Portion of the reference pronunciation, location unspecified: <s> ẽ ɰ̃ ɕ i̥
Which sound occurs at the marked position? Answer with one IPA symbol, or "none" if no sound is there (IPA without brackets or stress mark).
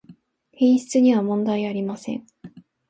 h